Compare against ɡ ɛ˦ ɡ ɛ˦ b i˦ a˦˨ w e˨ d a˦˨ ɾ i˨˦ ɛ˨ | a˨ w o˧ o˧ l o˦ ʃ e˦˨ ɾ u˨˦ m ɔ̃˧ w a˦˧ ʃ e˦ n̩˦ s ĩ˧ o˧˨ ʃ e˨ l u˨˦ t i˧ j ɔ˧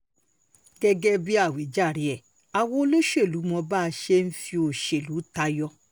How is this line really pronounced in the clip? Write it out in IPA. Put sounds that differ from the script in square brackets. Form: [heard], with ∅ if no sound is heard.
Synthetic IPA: ɡ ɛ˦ ɡ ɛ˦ b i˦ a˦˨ w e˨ [d͡ʒ] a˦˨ ɾ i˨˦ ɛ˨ | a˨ w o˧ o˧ l o˦ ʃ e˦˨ [l] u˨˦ m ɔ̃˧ [b] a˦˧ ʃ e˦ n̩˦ [f] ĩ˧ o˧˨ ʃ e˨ l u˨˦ t [a˧] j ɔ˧